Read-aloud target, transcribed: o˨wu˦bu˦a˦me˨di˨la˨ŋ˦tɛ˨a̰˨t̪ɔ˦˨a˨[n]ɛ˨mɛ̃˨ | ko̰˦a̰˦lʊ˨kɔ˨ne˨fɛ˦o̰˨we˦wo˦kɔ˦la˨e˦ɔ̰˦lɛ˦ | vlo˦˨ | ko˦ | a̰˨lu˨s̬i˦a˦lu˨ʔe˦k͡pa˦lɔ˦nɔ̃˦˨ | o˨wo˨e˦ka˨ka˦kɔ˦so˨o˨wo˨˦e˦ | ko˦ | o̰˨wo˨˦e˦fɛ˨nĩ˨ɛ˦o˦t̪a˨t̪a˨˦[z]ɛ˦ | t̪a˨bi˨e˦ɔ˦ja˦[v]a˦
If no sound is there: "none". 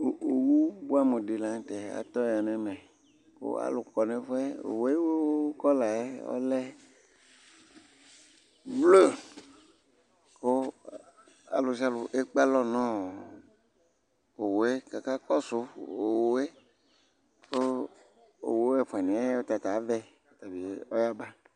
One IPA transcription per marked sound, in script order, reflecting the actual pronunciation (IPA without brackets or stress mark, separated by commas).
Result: n, v, b